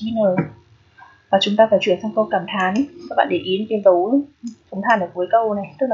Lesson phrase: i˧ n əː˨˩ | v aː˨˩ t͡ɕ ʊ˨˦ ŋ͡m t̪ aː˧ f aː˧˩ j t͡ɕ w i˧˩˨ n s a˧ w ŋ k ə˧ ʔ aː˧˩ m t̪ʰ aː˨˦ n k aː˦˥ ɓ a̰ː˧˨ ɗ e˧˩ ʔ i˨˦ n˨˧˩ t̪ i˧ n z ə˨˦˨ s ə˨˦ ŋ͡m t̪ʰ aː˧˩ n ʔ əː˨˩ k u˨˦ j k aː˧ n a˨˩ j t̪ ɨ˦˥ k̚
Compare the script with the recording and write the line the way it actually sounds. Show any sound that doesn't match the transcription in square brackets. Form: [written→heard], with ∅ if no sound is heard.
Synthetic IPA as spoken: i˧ n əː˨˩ | v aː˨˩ t͡ɕ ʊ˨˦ ŋ͡m t̪ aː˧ f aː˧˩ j t͡ɕ w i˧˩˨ n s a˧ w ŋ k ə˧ [ʔ→k] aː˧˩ m t̪ʰ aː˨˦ n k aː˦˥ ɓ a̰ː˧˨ ɗ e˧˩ ʔ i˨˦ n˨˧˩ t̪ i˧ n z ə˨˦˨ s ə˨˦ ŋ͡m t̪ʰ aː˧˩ n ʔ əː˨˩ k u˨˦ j k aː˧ n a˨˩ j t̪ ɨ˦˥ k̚

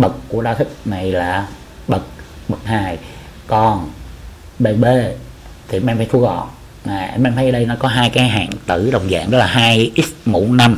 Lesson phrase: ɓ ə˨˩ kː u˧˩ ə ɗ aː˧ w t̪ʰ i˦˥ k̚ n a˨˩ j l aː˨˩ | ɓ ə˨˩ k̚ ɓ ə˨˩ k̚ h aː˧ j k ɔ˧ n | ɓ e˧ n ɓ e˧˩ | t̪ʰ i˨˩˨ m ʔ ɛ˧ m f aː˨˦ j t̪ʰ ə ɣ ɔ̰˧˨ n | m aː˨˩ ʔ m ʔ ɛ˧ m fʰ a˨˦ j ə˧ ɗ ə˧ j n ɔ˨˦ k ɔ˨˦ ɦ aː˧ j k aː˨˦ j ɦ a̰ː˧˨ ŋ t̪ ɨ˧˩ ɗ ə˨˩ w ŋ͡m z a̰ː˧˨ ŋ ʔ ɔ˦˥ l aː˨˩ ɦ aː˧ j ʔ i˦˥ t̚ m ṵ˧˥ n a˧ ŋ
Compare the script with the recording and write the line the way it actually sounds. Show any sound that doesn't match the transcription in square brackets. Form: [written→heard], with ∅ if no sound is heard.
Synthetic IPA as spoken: ɓ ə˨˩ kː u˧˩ ə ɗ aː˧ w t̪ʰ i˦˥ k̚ n a˨˩ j l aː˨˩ | ɓ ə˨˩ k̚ ɓ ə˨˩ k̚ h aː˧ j k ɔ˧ n | ɓ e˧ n ɓ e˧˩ | t̪ʰ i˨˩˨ m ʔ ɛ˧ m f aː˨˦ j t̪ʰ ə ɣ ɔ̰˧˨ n | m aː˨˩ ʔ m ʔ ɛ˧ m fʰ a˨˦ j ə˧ ɗ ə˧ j n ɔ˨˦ k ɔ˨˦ ɦ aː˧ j k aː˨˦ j ɦ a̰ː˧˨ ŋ t̪ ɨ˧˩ ɗ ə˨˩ w ŋ͡m z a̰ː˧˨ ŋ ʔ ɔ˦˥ l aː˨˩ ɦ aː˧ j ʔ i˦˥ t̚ m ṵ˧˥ n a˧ [ŋ→m]

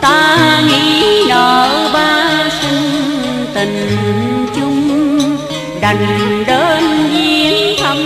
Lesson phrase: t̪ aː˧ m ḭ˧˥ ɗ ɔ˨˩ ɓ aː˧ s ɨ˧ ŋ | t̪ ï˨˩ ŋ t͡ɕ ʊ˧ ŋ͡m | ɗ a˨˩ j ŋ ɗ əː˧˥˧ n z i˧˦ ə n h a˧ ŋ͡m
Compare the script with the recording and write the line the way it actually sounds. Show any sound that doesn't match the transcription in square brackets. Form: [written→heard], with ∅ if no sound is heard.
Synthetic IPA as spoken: t̪ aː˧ [m→ŋ] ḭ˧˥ ɗ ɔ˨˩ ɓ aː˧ s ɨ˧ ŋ | t̪ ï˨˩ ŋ t͡ɕ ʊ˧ ŋ͡m | ɗ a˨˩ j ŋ ɗ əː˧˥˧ n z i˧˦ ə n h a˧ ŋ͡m

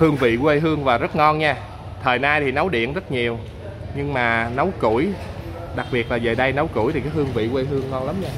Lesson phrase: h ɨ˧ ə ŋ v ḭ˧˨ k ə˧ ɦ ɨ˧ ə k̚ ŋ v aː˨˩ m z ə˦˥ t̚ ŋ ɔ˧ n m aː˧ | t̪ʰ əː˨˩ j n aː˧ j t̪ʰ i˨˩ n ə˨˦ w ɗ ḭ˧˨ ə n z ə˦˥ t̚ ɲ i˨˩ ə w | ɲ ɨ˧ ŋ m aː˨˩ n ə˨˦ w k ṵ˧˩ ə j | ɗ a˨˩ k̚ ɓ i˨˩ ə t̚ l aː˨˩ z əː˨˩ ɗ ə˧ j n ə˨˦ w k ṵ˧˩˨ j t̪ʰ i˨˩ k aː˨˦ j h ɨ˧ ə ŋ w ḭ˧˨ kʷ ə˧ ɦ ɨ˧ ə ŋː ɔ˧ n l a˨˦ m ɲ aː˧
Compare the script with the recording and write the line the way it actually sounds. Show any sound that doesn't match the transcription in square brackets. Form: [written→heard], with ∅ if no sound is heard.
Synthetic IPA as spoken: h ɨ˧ ə ŋ v ḭ˧˨ k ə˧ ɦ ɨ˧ ə [k̚→∅] ŋ v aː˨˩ [m→∅] z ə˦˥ t̚ ŋ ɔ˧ n [m→ɲ] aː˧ | t̪ʰ əː˨˩ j n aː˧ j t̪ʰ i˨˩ n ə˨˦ w ɗ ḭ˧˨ ə n z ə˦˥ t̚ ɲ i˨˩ ə w | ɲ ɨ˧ ŋ m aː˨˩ n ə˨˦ w k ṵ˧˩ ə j | ɗ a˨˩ k̚ ɓ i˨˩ ə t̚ l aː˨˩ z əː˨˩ ɗ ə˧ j n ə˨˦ w k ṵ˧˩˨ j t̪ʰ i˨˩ k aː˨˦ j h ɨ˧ ə ŋ [w→v] ḭ˧˨ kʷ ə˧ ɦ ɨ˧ ə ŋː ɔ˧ n l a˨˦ m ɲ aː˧

